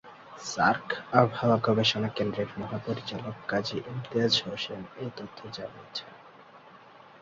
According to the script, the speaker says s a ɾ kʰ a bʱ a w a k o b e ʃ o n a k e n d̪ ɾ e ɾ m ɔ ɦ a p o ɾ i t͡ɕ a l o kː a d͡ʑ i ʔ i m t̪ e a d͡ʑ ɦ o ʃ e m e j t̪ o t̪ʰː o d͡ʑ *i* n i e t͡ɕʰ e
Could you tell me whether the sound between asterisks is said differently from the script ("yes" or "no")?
yes